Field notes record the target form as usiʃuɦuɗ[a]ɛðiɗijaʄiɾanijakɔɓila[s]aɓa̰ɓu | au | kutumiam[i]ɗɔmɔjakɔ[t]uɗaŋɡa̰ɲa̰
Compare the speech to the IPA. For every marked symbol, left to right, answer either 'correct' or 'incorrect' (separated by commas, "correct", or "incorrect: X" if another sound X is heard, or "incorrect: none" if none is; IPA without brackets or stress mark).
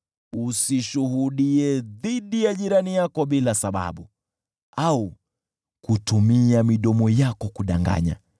incorrect: i, correct, correct, incorrect: k